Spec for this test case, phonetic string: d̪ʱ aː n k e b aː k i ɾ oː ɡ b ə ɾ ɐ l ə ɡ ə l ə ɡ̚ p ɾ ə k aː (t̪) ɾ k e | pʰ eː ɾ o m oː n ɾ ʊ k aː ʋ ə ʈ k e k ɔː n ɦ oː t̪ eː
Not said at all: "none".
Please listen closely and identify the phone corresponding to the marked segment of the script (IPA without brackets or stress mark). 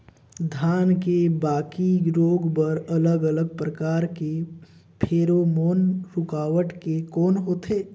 none